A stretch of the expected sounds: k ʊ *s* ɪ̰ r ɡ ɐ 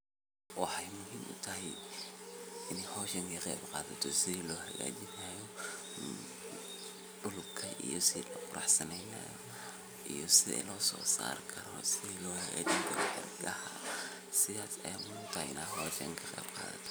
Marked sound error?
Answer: yes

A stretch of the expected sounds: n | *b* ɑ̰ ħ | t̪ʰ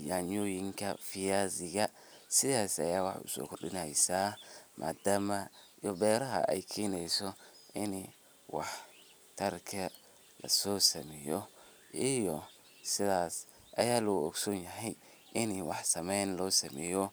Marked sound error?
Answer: yes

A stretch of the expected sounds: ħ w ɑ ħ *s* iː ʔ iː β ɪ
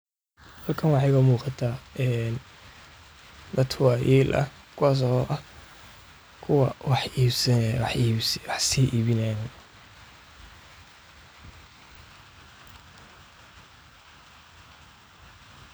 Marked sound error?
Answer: no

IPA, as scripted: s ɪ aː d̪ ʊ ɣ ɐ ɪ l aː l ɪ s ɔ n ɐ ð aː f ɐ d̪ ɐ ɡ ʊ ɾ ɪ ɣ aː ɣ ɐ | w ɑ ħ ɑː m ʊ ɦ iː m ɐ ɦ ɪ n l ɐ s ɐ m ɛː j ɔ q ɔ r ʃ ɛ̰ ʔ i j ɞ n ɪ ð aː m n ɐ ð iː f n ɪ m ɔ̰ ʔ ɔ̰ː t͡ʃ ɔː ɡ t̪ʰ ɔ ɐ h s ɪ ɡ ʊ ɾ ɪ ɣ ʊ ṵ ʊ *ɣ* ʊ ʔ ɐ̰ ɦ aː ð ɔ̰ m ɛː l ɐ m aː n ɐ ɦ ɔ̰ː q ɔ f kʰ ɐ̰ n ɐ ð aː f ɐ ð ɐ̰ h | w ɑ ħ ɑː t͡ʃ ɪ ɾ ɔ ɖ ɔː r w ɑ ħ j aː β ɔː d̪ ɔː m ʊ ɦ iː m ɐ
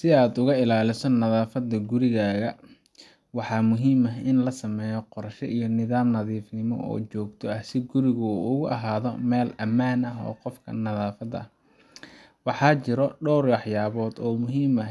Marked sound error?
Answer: no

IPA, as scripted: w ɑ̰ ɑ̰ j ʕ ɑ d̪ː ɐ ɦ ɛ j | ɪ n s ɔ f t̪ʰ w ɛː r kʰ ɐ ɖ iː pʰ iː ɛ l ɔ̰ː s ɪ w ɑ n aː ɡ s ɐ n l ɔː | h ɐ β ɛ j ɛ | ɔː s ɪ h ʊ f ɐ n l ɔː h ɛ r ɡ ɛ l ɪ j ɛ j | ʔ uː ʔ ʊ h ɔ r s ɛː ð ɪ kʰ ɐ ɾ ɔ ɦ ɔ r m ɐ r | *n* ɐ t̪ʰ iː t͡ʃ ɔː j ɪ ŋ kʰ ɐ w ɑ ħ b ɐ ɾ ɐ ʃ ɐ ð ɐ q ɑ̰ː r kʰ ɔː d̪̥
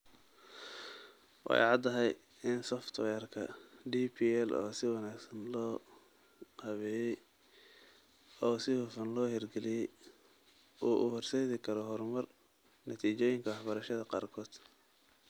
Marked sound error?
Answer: no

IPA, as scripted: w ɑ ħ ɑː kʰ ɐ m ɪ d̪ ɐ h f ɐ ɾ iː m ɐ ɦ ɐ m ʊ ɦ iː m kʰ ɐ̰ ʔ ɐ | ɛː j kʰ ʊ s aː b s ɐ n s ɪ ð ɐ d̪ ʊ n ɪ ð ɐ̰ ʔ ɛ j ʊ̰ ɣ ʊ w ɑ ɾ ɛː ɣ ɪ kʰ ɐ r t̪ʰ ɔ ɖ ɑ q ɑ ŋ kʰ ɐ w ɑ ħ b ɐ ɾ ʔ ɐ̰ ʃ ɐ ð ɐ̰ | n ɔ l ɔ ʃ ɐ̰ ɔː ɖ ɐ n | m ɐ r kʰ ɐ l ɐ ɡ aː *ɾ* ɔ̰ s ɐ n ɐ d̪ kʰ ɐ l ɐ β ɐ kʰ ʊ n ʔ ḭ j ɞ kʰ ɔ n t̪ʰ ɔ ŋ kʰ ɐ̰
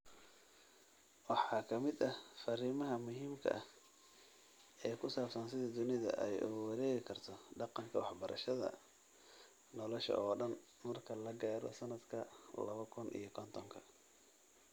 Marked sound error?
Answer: no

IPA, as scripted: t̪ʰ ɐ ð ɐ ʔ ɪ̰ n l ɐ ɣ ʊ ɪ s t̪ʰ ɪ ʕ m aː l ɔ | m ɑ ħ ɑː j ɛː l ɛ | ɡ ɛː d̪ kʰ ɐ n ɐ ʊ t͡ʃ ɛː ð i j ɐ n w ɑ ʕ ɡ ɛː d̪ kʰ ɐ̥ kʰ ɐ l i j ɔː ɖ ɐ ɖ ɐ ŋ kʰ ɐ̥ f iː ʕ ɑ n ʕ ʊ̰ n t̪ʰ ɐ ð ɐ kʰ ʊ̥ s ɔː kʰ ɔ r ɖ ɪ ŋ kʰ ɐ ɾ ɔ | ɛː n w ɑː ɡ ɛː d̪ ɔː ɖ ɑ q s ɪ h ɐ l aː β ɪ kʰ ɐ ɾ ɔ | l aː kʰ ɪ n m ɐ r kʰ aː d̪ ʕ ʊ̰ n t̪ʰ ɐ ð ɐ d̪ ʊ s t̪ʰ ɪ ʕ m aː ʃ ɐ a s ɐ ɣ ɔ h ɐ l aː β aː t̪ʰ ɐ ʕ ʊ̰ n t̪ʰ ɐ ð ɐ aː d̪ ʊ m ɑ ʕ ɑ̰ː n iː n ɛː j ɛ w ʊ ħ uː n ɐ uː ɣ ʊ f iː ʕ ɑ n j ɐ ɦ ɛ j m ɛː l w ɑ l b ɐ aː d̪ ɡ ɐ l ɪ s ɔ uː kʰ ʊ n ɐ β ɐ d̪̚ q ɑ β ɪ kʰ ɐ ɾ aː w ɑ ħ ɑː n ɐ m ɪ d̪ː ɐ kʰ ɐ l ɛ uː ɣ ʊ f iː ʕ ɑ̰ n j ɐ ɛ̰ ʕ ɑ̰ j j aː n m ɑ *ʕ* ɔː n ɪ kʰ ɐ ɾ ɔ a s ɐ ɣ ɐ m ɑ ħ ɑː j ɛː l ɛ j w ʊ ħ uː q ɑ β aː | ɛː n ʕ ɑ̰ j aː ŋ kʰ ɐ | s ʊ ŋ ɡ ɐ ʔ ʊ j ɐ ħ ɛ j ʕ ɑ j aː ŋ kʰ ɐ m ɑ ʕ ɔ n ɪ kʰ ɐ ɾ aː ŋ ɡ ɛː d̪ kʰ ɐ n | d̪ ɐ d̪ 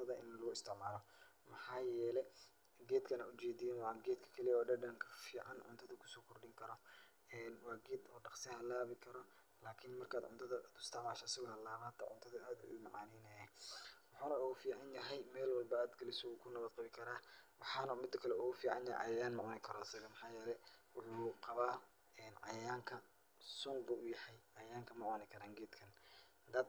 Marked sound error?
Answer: no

